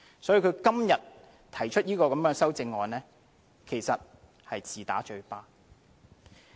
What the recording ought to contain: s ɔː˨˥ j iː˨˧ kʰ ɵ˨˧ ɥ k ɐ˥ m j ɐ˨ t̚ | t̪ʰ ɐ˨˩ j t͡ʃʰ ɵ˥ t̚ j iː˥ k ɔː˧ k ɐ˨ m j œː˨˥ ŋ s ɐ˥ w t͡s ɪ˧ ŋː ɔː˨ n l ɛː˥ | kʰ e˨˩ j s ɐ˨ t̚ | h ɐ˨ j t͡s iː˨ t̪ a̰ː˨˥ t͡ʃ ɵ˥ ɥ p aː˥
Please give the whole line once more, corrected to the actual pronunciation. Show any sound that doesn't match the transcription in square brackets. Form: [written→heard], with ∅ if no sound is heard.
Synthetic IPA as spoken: s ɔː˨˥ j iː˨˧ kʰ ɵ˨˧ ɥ k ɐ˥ m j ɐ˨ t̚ | t̪ʰ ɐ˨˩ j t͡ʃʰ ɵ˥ t̚ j iː˥ k ɔː˧ k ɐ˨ m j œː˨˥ ŋ s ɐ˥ w t͡s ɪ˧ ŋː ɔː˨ n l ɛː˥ | kʰ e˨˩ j s ɐ˨ t̚ | h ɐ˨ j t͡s iː˨ t̪ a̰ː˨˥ t͡ʃ [ɵ˥→ɵ˧] ɥ p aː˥